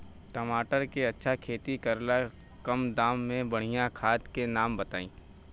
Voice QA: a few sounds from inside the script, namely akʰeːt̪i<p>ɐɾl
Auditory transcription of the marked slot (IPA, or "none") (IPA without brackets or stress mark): k